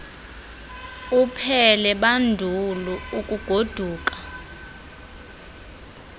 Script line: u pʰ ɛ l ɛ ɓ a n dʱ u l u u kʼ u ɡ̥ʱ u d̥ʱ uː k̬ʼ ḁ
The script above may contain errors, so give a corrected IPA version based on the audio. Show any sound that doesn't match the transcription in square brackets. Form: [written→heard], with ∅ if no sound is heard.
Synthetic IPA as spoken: u pʰ ɛ l ɛ ɓ a n dʱ u l u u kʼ u ɡ̥ʱ [u→o] d̥ʱ uː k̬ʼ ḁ